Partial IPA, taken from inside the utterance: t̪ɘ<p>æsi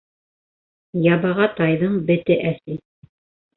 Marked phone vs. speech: incorrect: ʔ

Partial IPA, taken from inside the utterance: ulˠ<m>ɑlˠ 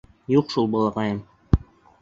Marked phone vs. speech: incorrect: b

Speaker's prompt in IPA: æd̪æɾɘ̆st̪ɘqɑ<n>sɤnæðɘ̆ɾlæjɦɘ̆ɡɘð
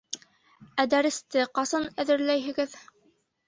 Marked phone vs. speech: incorrect: none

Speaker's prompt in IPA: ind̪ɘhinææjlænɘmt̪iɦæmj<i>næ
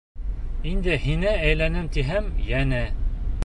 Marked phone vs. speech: incorrect: æ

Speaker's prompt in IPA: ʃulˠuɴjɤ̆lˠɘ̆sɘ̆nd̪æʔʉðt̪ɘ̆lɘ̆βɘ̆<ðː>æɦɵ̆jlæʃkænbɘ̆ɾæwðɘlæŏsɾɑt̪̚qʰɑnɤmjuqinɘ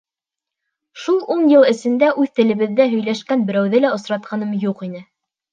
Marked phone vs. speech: correct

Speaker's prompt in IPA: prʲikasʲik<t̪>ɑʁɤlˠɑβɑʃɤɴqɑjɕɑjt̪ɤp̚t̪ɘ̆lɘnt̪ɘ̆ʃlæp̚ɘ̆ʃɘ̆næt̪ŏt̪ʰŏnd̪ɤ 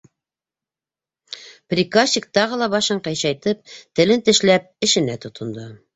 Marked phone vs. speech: correct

